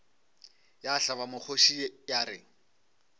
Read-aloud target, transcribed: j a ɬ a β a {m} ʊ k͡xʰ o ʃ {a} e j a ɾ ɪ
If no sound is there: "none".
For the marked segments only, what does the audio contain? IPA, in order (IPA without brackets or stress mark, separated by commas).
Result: m, i